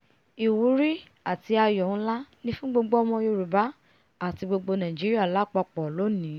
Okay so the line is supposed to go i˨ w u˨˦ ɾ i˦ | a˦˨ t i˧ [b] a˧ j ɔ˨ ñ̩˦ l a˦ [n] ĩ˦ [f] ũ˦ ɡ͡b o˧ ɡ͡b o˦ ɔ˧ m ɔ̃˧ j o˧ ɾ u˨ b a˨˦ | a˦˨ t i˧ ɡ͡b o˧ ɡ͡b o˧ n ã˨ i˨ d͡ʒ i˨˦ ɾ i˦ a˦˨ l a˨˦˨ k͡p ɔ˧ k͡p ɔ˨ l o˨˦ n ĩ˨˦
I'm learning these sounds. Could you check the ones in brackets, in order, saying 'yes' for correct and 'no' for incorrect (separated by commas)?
no, yes, yes